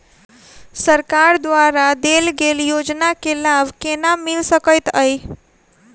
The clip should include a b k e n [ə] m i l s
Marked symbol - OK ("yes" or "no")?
no